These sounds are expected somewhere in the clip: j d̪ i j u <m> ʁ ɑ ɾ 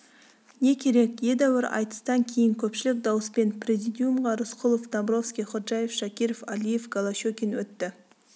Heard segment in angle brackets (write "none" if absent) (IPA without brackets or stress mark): m